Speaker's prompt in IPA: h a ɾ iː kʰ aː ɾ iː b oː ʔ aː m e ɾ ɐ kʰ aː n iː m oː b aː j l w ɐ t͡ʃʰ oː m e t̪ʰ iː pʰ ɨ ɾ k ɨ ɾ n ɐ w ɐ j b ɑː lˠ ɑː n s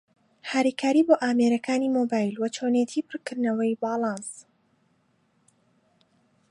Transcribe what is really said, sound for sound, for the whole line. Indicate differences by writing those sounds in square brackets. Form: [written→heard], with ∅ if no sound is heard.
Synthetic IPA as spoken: h a ɾ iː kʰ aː ɾ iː b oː ʔ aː m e ɾ ɐ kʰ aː n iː m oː b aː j l w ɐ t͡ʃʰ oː [m→n] e t̪ʰ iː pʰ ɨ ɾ k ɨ ɾ n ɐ w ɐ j b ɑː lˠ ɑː n s